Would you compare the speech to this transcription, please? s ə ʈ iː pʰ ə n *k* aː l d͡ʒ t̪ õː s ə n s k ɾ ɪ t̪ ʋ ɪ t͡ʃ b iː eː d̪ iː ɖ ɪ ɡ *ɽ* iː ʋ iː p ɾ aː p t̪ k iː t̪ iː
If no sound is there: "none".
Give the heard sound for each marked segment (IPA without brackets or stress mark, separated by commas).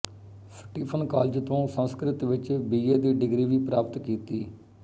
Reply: k, ɾ